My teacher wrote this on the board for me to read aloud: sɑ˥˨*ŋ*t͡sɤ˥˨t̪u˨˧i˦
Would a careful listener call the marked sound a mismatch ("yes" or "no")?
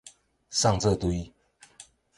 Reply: no